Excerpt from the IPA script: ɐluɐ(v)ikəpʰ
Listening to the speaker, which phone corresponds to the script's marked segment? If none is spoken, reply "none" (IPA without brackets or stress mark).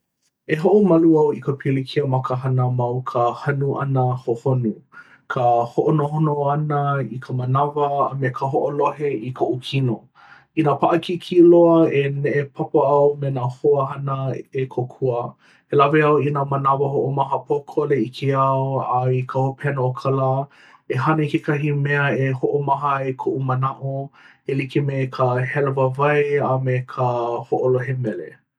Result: w